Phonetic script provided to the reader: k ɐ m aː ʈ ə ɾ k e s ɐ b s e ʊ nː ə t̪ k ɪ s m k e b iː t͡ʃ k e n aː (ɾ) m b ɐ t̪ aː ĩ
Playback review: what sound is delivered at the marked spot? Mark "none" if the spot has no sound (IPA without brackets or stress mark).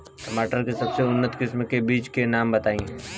none